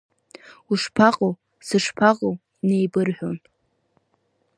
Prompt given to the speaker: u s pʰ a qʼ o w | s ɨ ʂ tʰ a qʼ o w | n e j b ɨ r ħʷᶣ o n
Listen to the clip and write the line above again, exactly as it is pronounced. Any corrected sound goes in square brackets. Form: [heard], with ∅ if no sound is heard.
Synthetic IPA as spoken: u [ʂ] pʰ a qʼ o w | s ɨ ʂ [pʰ] a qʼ o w | n e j b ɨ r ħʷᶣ o n